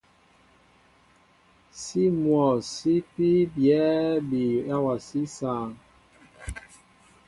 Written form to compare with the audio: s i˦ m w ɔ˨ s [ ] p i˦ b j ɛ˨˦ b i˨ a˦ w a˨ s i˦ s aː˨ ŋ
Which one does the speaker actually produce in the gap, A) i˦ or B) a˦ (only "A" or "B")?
A